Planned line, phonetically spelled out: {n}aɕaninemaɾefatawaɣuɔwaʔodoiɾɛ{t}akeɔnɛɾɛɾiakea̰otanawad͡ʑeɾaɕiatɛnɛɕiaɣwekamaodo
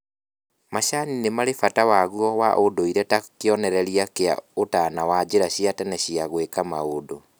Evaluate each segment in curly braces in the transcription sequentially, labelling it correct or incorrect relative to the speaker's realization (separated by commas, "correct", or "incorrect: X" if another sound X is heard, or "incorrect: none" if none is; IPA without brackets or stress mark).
incorrect: m, correct